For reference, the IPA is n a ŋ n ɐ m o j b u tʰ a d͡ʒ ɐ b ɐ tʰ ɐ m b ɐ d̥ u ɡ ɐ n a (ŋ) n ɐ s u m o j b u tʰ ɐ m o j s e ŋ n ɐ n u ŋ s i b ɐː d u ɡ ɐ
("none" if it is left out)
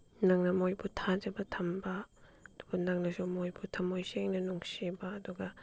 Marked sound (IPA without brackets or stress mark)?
ŋ